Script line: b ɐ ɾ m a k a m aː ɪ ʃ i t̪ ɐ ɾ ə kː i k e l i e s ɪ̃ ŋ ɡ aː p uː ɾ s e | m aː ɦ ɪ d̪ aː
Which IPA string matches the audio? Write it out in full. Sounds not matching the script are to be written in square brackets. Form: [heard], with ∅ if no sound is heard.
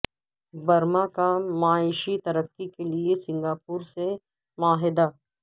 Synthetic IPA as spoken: b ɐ ɾ m a k a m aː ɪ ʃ i t̪ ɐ ɾ ə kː i k e l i e s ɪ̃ ŋ ɡ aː p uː ɾ s e | m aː ɦ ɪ d̪ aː